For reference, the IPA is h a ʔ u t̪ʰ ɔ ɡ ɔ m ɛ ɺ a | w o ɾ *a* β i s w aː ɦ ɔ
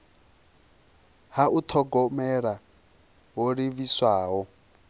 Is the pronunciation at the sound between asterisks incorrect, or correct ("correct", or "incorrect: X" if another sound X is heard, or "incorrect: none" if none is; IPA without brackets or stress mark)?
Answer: incorrect: i